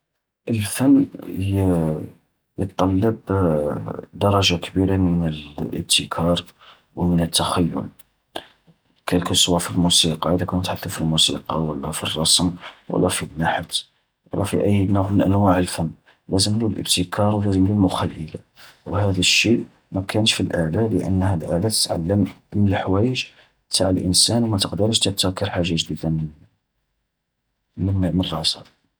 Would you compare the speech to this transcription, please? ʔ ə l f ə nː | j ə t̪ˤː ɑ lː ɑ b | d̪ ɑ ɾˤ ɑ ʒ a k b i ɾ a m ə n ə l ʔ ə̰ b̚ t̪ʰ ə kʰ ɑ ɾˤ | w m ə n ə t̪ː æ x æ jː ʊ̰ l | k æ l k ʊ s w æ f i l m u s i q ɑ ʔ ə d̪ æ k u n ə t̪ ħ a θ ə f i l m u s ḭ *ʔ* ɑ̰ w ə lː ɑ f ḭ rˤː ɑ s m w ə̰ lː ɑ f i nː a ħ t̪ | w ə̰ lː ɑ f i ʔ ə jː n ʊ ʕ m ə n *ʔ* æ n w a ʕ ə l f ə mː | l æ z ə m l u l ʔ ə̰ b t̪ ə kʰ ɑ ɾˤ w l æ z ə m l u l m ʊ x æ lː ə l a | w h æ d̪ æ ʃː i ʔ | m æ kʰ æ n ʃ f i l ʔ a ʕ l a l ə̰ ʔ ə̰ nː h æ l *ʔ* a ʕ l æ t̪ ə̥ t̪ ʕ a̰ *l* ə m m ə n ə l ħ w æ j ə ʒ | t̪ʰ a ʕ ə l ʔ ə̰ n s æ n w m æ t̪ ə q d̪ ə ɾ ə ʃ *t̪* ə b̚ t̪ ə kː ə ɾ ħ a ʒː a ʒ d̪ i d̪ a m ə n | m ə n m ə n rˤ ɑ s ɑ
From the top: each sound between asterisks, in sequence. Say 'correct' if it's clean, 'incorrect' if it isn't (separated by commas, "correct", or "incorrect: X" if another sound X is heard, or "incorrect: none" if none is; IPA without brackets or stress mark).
incorrect: q, correct, correct, incorrect: lː, correct